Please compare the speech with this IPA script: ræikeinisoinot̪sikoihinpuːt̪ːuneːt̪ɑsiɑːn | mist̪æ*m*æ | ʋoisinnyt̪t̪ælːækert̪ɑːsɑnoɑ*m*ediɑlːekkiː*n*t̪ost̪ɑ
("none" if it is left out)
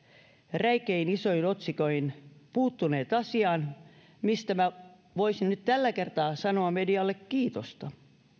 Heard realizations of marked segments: m, m, none

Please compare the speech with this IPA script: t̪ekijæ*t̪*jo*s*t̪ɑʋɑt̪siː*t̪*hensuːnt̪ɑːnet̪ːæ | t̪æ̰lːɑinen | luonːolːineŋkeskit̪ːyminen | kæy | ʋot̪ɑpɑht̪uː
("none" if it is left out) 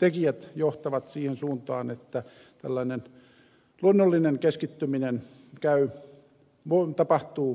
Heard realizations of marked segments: t̪, h, none

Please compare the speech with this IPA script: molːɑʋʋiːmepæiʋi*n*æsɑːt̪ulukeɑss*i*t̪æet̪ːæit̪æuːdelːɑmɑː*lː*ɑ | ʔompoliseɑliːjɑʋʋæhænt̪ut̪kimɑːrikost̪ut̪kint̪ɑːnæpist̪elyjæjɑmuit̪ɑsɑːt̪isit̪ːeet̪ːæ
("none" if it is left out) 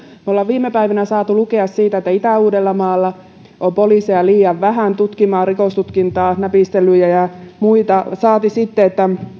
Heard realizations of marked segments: n, iː, lː

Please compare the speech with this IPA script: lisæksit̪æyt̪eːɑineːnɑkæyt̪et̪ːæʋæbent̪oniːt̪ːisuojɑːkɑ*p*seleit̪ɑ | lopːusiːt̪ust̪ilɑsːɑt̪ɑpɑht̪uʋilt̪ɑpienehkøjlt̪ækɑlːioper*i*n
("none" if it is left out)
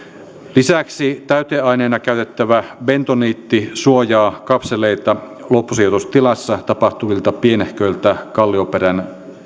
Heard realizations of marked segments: p, æ

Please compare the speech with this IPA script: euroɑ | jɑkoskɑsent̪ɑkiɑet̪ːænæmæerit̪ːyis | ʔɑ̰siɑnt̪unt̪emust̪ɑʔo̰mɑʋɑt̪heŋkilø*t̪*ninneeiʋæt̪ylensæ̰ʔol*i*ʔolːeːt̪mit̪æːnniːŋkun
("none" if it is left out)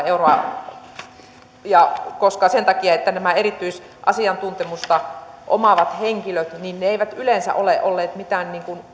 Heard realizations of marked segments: t̪, e

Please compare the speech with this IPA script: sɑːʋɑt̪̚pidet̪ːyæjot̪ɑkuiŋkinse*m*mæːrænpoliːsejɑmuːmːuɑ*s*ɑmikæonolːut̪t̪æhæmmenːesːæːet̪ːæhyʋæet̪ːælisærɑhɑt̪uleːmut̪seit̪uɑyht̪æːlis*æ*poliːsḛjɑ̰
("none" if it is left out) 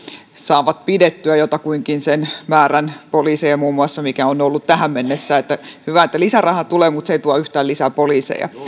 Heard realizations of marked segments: n, sː, æ

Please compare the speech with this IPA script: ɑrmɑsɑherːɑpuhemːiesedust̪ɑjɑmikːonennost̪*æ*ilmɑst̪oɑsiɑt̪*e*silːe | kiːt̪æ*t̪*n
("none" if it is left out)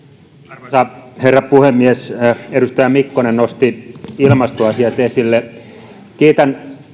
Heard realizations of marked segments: i, e, none

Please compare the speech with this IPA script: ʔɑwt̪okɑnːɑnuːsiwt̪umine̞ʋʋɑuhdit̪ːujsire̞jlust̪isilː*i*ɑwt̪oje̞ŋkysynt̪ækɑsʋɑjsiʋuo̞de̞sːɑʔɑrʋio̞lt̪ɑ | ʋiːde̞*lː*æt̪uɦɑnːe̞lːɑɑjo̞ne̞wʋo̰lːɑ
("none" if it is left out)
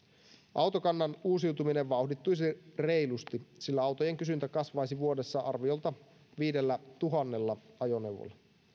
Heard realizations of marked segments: æ, lː

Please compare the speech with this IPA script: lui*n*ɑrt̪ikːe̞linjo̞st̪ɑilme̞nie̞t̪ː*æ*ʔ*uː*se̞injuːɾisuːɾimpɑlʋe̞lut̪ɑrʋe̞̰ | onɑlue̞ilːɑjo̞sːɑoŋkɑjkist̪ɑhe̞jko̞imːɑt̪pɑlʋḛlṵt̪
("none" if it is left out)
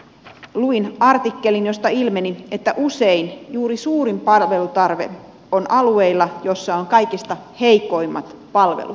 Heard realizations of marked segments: n, æ, u

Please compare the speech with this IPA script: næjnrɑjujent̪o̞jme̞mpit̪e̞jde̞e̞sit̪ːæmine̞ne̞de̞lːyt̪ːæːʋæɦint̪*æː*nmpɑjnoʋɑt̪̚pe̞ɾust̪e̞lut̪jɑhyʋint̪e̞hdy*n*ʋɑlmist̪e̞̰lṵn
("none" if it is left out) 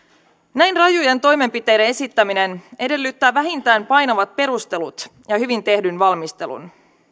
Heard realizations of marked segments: æː, n

